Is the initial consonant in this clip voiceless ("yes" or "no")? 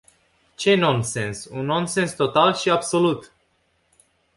yes